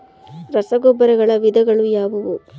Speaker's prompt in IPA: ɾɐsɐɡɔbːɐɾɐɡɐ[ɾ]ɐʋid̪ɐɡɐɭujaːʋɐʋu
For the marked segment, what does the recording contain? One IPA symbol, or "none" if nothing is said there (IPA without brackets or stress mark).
ɭ